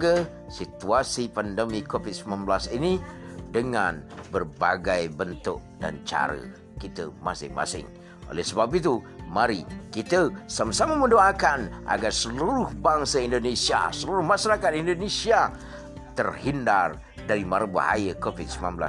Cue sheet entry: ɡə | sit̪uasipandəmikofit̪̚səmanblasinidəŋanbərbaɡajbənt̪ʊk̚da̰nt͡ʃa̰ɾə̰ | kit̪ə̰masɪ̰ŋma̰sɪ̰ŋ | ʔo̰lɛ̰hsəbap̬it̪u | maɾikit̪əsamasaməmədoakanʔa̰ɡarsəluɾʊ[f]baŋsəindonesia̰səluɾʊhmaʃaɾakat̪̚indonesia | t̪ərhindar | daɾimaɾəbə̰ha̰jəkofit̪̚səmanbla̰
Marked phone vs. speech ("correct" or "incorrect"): incorrect